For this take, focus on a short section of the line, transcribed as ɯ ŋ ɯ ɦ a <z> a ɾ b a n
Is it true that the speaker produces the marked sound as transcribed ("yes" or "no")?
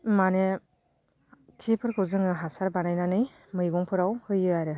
no